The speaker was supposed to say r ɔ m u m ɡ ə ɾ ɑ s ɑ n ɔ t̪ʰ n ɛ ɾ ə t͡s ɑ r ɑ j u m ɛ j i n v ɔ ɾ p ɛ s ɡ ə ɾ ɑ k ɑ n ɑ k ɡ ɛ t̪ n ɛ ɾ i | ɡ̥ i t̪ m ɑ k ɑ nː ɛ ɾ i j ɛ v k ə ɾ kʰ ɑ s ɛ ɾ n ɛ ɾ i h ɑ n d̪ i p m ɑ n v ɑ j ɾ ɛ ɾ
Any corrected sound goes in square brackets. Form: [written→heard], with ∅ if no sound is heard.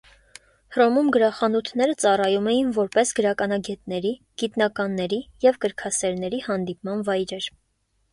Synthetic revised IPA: r ɔ m u m ɡ ə ɾ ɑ [s→χ] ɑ n [ɔ→u] t̪ʰ n ɛ ɾ ə t͡s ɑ r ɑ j u m ɛ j i n v ɔ ɾ p ɛ s ɡ ə ɾ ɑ k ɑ n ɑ [k→∅] ɡ ɛ t̪ n ɛ ɾ i | ɡ̥ i t̪ [m→n] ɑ k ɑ nː ɛ ɾ i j ɛ v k ə ɾ kʰ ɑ s ɛ ɾ n ɛ ɾ i h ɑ n d̪ i p m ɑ n v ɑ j ɾ ɛ ɾ